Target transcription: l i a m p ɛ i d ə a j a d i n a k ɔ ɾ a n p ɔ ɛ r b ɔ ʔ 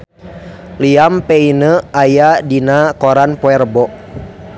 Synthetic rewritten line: l i a m p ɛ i n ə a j a d i n a k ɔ ɾ a n p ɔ ɛ r b ɔ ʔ